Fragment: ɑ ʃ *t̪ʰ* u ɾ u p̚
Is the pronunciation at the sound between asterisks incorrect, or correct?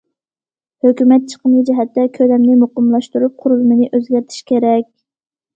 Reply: incorrect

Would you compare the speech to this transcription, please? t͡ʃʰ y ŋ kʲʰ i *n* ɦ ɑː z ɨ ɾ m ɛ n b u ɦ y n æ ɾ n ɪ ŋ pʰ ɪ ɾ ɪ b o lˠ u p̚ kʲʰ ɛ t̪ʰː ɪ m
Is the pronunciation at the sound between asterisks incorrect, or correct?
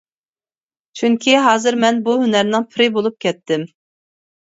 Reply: incorrect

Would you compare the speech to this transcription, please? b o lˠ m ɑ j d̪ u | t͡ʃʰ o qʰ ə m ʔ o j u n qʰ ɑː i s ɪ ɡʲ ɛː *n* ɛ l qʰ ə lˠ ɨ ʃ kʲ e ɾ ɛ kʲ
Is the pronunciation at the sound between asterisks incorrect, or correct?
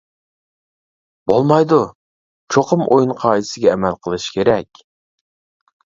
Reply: incorrect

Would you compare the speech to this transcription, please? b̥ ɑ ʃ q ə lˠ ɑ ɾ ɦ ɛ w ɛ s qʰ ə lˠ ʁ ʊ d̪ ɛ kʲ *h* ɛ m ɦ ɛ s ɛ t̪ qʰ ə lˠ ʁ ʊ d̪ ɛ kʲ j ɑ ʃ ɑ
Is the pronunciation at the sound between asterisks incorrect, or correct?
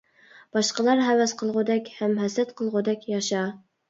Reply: correct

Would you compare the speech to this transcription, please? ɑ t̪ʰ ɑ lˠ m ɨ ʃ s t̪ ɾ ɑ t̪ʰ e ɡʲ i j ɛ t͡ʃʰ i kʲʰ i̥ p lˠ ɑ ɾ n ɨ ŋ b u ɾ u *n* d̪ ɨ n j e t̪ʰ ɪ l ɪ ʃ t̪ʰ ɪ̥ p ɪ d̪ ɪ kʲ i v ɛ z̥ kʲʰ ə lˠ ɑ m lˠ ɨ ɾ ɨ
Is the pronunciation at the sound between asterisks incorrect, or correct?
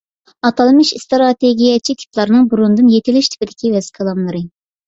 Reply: correct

